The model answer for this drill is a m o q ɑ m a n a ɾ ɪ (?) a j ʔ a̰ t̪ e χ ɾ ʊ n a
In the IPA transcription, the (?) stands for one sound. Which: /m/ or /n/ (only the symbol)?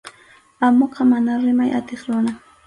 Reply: m